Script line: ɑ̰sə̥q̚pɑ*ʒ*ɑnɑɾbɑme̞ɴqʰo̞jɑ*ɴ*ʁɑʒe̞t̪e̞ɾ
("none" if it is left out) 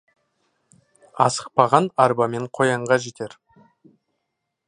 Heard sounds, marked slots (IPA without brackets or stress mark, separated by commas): ʁ, ɴ